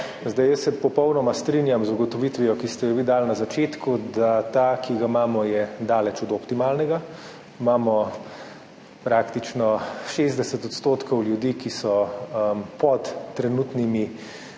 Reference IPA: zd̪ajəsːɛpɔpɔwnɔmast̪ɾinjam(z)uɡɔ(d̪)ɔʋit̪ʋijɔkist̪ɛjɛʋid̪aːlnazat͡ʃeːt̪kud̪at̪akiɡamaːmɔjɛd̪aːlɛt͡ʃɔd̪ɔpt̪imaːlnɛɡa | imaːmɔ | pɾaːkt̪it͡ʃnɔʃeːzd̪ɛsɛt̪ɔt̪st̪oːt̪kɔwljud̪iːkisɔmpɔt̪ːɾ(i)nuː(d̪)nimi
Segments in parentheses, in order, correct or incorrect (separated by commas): correct, incorrect, incorrect, incorrect